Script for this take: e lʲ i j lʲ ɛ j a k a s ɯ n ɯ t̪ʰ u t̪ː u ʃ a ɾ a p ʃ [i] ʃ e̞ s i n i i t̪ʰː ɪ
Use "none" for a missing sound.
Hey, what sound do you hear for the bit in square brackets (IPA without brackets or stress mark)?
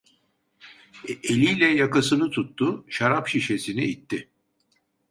i